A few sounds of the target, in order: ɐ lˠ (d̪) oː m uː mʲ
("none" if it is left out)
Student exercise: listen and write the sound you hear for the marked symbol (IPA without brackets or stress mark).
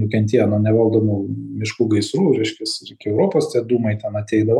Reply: d̪